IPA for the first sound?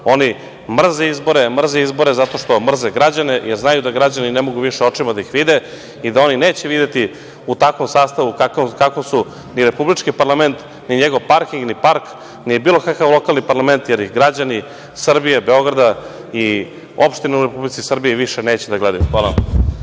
o̞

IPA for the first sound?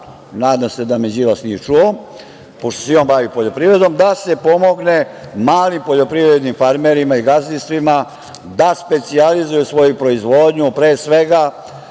n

